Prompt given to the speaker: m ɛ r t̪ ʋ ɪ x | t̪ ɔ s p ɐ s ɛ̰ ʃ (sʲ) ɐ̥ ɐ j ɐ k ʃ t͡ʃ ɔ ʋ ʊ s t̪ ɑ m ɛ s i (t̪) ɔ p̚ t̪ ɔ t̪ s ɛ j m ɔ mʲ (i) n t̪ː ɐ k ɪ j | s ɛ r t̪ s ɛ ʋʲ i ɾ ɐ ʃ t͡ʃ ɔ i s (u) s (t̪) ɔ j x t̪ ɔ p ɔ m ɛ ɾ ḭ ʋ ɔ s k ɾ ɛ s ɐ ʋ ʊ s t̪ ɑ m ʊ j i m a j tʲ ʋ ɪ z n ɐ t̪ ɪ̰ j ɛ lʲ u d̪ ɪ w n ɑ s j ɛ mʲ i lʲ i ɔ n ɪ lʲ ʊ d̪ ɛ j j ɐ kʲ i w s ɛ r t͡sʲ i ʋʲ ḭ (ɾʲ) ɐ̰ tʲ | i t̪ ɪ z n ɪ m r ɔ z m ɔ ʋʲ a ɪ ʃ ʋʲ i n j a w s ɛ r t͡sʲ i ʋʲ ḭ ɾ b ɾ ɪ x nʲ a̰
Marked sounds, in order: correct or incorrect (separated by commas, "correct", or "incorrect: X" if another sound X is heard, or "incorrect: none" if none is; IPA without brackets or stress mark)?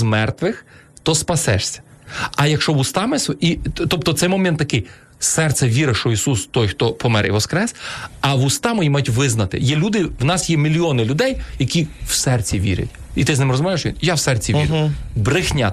correct, correct, incorrect: ɛ, correct, correct, correct